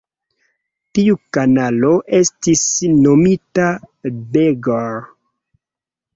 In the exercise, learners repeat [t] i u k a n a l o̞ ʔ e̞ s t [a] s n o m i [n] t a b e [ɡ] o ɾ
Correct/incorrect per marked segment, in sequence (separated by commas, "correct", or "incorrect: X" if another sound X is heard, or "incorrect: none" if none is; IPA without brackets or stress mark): correct, incorrect: i, incorrect: none, correct